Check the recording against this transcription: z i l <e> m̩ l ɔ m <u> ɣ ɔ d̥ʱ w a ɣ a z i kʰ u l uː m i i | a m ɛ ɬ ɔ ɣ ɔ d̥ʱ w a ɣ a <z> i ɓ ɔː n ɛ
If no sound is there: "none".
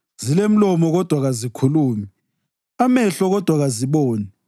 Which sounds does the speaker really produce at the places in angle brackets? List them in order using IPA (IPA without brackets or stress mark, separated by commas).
e, ɔ, z